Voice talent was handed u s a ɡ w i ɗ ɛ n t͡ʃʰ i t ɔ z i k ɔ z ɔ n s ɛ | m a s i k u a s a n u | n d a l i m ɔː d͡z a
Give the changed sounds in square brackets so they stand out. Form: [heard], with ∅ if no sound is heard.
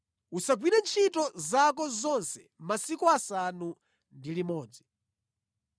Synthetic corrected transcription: u s a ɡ w i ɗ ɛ n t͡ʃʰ i t ɔ z [a] k ɔ z ɔ n s ɛ | m a s i k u a s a n u | n d [i] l i m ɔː d͡z [i]